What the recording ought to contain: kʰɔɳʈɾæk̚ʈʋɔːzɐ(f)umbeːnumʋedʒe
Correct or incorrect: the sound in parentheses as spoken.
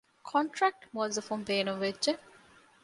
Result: correct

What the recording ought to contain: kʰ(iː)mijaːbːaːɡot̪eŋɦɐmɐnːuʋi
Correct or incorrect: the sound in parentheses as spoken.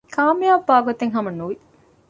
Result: incorrect: aː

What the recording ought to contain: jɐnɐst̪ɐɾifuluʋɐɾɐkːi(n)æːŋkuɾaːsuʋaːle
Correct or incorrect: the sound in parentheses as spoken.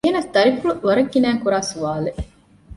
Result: correct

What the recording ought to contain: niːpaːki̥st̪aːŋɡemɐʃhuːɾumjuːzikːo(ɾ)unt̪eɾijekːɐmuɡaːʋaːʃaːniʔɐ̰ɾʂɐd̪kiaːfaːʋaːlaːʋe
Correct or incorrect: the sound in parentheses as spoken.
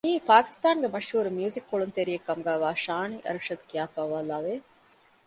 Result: incorrect: ɭ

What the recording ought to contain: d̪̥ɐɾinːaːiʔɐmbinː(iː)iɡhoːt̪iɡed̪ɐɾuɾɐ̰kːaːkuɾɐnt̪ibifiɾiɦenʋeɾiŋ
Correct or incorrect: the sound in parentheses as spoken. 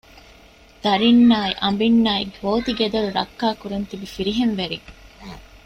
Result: incorrect: aː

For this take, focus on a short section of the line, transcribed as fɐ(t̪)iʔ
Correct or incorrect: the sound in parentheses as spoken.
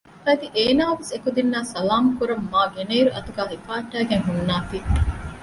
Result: incorrect: d̪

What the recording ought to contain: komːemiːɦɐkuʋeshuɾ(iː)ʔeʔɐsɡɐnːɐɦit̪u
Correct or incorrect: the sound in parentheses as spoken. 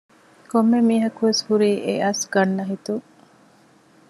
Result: correct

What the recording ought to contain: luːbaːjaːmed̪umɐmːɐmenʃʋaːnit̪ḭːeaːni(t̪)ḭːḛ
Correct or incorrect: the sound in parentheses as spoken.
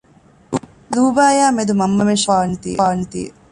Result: correct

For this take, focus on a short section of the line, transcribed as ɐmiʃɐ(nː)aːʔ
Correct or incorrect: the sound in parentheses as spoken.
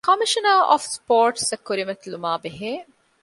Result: incorrect: n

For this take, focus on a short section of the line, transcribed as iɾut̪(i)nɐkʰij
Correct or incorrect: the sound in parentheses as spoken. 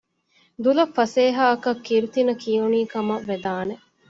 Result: correct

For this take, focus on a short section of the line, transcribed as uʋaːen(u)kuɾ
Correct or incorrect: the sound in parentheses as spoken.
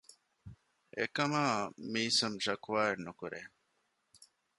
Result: correct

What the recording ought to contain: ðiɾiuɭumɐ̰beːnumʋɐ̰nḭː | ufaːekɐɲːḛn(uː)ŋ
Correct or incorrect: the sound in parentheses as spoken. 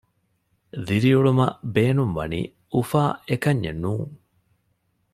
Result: correct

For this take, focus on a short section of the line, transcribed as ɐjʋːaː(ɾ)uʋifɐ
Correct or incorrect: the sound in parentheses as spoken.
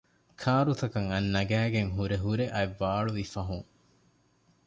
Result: incorrect: ɭ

